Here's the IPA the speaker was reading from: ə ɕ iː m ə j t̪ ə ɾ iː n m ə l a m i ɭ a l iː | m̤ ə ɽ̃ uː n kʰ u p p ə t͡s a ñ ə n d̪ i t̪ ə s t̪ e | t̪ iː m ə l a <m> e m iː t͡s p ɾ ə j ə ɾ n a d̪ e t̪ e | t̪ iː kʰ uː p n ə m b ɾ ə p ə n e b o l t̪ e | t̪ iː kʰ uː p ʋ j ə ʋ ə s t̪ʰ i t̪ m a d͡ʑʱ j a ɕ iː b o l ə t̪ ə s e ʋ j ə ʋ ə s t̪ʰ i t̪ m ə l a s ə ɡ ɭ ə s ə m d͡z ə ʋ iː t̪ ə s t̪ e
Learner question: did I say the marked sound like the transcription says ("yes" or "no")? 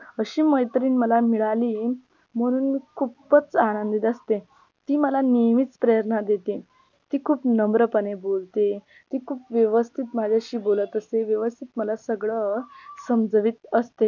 no